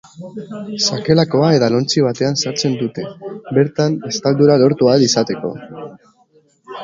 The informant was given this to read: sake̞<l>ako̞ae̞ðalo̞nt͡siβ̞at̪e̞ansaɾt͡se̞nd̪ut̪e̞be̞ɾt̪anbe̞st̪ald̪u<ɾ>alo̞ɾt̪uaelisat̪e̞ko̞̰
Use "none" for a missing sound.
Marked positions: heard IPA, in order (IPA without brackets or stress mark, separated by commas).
l, ɾ